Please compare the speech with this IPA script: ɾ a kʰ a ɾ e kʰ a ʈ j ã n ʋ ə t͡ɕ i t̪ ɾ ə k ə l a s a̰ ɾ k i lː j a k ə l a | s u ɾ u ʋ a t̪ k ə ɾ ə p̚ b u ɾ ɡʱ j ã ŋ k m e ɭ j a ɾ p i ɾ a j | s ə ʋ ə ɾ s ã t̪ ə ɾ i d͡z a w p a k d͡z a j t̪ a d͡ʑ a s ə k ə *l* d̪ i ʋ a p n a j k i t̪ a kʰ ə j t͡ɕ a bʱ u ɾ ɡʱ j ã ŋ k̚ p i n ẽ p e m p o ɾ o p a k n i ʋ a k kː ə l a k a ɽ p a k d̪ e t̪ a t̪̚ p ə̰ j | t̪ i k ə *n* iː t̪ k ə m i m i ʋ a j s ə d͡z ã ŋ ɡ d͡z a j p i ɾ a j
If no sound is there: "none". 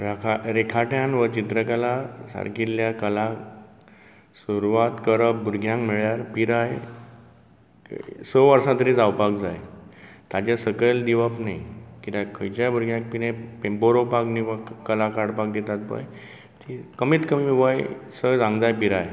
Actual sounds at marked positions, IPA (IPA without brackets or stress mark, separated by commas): l, m